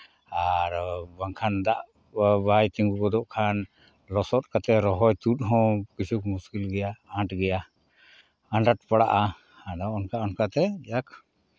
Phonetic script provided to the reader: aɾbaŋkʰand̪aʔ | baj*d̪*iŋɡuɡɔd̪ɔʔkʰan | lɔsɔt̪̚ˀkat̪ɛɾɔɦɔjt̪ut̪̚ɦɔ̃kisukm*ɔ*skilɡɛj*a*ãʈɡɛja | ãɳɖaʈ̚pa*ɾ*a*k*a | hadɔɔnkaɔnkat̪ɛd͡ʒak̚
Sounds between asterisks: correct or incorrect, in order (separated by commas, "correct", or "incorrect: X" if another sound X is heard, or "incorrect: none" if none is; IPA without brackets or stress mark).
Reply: incorrect: t̪, incorrect: u, correct, incorrect: ɽ, incorrect: ʔ